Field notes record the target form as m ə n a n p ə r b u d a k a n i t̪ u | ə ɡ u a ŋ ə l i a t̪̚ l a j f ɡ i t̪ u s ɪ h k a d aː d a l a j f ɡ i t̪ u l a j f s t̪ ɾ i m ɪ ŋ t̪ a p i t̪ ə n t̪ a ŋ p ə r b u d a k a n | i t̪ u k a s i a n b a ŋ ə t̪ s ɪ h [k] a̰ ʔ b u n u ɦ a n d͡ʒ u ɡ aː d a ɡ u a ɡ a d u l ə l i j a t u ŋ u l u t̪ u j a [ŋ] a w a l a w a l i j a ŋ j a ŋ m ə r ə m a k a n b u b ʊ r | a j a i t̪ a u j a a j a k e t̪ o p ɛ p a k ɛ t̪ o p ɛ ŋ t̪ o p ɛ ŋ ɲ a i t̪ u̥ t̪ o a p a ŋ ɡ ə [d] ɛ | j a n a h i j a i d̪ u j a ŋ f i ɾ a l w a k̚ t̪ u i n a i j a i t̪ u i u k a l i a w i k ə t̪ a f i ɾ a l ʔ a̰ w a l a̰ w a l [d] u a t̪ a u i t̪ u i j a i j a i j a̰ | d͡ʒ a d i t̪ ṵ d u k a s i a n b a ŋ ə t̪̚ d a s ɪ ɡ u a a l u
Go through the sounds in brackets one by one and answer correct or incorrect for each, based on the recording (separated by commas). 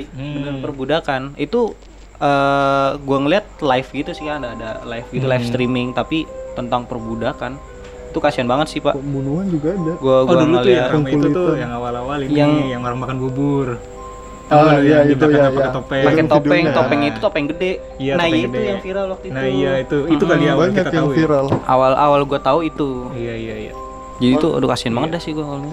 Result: incorrect, correct, correct, incorrect